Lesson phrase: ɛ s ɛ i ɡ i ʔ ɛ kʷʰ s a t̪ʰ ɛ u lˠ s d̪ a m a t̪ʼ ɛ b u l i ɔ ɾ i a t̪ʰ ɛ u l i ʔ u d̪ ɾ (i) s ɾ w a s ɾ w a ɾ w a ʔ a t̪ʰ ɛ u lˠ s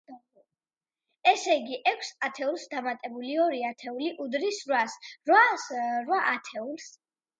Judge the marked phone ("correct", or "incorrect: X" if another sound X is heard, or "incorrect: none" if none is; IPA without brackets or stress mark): correct